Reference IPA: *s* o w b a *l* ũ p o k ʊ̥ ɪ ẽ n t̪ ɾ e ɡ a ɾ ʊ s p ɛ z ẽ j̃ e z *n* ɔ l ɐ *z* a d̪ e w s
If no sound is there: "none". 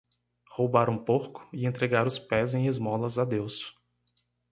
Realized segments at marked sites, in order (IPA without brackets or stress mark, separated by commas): h, ɾ, m, z